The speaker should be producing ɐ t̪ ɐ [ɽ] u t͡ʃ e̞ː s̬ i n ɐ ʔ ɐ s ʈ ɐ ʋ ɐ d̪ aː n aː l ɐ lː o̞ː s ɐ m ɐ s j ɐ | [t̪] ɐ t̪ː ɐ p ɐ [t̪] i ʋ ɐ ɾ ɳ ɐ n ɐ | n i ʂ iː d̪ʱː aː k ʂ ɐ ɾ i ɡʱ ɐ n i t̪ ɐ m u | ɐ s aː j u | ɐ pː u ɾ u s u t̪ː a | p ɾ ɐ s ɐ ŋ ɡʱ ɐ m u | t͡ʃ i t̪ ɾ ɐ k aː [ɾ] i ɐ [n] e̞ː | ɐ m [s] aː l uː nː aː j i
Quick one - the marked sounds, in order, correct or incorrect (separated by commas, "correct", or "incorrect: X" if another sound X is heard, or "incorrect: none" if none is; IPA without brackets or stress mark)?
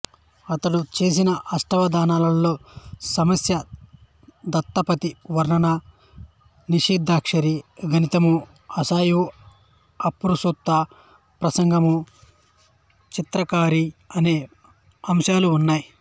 correct, incorrect: d̪, correct, correct, correct, incorrect: ʃ